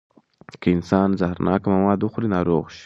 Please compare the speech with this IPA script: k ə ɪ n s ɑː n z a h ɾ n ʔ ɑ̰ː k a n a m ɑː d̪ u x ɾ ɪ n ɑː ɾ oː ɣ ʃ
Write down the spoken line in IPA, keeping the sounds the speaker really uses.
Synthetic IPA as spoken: k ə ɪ n s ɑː n z a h ɾ n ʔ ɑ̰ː k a m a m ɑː d̪ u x ɾ i n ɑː ɾ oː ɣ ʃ